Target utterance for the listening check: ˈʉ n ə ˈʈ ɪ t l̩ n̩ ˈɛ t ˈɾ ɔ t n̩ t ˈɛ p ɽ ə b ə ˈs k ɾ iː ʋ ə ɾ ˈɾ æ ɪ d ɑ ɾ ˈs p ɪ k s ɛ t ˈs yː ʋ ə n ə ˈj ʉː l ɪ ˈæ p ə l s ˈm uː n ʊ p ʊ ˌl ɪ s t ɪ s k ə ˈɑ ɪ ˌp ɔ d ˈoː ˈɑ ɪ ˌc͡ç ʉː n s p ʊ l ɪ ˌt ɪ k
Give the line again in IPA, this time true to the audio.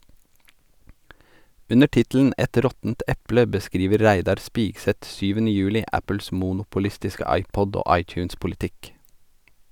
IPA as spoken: ˈʉ n ə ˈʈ ɪ t l̩ n̩ ˈɛ t ˈɾ ɔ t n̩ t ˈɛ p l ə b ə ˈs k ɾ iː ʋ ə ɾ ˈɾ æ ɪ d ɑ ɾ ˈs p ɪ k s ɛ t ˈs yː ʋ ə n ə ˈj ʉː l ɪ ˈæ p ə l s ˈm uː n ʊ p ʊ ˌl ɪ s t ɪ s k ə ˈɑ ɪ ˌp ɔ d ˈoː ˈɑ ɪ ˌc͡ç ʉː n s p ʊ l ɪ ˌt ɪ k